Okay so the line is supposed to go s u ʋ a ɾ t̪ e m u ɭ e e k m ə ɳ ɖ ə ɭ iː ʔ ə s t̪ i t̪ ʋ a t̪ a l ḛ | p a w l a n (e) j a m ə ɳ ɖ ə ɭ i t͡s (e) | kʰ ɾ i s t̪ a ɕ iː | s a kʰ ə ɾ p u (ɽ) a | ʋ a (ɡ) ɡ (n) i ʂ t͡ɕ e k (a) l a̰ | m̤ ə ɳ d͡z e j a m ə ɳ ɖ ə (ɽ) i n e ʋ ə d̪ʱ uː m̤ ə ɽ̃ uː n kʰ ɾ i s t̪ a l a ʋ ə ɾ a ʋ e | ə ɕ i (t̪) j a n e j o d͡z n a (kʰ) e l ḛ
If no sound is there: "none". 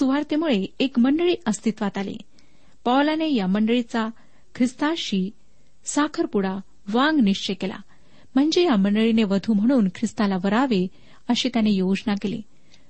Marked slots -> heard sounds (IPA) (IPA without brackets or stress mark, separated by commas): e, a, ɽ, ŋ, n, e, ɭ, t̪, k